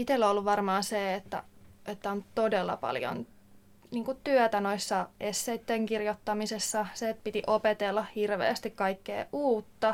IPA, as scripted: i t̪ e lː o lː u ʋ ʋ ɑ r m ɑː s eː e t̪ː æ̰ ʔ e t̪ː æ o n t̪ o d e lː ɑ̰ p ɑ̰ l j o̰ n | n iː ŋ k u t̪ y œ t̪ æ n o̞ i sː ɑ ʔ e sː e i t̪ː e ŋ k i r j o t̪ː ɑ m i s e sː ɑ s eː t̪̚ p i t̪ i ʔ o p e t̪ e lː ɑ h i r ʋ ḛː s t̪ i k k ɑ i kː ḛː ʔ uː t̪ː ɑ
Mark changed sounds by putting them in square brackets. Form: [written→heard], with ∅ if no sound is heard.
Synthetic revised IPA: i t̪ e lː o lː u ʋ ʋ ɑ r m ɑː s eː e t̪ː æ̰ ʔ e t̪ː æ o n t̪ o d e lː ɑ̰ p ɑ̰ l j o̰ n | n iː ŋ k u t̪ y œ t̪ æ n o̞ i sː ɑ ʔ e sː e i t̪ː e ŋ k i r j o t̪ː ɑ m i s e sː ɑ s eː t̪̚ p i t̪ i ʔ o p e t̪ e lː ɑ h i r ʋ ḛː s t̪ i k k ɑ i kː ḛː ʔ uː t̪ː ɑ